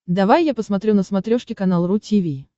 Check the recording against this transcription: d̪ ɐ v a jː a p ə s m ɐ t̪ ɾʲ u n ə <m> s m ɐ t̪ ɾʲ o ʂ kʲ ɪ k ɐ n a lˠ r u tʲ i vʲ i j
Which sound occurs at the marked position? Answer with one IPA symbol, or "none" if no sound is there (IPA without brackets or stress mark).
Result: none